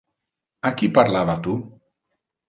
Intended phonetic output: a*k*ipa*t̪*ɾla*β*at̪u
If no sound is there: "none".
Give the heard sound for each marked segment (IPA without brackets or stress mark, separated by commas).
k, none, β